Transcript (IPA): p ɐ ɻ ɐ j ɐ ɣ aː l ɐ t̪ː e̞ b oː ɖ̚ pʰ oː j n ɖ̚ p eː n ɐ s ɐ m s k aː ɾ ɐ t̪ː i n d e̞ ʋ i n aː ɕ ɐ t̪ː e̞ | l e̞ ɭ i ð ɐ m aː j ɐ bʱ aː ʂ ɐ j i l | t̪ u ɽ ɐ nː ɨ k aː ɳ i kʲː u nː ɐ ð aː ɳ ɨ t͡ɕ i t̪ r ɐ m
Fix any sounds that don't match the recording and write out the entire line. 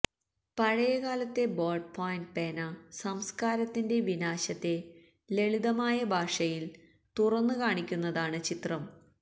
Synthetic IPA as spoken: p ɐ ɻ ɐ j ɐ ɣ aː l ɐ t̪ː e̞ b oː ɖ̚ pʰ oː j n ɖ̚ p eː n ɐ s ɐ m s k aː ɾ ɐ t̪ː i n d e̞ ʋ i n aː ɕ ɐ t̪ː e̞ | l e̞ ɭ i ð ɐ m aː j ɐ bʱ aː ʂ ɐ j i l | t̪ u r ɐ nː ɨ k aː ɳ i kʲː u nː ɐ ð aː ɳ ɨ t͡ɕ i t̪ r ɐ m